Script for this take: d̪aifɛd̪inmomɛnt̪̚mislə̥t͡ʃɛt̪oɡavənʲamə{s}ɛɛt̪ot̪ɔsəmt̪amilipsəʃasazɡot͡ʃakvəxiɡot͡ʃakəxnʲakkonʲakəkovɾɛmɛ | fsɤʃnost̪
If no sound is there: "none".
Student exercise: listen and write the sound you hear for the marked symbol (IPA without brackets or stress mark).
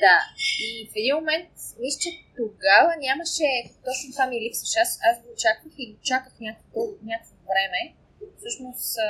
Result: ʃ